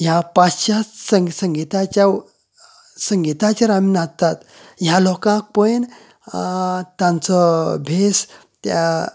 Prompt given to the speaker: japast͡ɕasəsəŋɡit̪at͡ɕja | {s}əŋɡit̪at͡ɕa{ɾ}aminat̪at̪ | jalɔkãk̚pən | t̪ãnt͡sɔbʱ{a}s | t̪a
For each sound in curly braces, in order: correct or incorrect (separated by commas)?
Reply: correct, correct, incorrect